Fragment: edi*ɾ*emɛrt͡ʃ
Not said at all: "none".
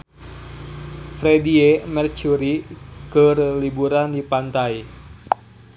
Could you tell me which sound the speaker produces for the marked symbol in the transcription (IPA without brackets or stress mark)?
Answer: none